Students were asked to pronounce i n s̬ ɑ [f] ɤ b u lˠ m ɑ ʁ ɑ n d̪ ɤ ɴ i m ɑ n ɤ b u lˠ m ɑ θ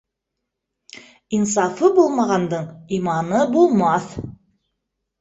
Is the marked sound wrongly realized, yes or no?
no